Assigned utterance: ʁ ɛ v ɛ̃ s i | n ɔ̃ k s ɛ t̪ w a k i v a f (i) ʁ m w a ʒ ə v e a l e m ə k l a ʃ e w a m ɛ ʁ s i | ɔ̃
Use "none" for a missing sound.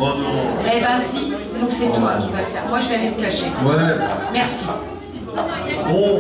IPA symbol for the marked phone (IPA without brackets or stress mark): ɛ